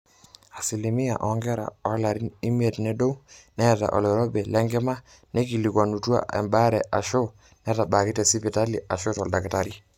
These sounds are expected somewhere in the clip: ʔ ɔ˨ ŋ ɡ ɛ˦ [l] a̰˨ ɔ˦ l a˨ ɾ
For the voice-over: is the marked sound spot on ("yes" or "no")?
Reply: no